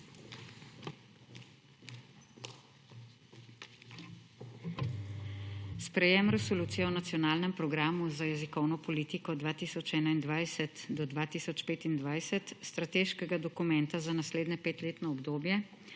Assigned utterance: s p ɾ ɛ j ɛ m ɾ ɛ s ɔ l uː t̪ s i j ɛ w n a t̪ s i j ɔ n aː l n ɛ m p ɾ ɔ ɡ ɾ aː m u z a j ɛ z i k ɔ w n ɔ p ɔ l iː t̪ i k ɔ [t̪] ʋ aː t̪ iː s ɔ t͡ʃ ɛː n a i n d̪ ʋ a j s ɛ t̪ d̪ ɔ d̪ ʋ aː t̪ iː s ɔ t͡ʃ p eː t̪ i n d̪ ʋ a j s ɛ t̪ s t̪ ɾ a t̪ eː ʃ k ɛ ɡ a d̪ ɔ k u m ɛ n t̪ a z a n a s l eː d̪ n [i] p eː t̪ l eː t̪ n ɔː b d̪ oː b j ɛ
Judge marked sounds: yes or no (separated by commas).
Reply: no, no